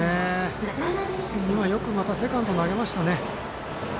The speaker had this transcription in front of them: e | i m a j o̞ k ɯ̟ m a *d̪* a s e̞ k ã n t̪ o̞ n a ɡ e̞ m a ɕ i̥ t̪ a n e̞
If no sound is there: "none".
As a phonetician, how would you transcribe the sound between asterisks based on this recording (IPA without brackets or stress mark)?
t̪